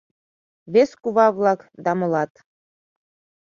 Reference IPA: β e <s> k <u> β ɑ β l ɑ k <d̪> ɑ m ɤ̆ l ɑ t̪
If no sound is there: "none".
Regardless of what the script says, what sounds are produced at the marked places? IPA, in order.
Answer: s, u, d̪

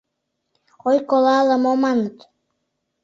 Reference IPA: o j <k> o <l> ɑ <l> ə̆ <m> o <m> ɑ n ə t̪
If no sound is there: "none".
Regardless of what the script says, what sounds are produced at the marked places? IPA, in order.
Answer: k, l, l, m, m

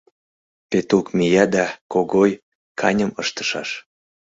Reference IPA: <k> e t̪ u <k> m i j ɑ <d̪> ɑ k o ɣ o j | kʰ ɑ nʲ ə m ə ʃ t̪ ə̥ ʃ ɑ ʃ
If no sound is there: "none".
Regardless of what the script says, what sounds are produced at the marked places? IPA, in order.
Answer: p, k, d̪

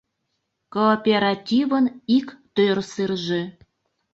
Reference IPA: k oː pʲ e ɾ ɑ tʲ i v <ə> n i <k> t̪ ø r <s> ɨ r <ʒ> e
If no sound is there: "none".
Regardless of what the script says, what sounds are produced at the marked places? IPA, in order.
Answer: ə, k, s, ʒ

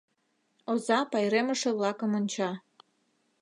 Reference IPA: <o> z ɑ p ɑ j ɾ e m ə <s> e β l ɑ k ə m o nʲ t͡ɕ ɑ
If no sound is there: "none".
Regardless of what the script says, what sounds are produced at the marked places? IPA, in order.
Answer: o, ʃ

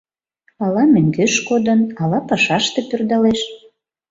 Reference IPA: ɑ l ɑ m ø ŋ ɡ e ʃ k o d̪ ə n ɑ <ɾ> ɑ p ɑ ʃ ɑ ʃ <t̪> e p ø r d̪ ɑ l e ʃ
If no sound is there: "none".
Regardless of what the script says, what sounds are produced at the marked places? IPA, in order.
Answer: l, t̪

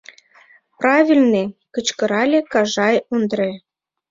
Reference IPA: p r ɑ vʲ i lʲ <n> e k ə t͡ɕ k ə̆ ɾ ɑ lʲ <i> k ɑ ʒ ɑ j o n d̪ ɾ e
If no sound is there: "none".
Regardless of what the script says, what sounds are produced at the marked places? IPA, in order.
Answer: n, e

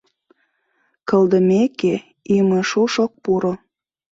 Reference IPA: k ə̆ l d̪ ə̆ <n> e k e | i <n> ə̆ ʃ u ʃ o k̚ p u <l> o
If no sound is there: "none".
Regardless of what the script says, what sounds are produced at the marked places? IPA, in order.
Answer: m, m, ɾ

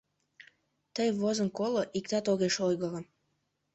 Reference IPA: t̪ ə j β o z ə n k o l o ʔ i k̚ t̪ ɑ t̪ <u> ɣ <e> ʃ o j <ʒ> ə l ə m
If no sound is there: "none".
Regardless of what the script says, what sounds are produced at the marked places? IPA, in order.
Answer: o, e, ɣ

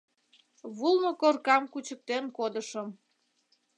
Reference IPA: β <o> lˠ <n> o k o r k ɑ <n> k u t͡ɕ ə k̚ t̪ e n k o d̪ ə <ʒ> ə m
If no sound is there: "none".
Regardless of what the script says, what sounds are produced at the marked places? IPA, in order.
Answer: u, n, m, ʃ

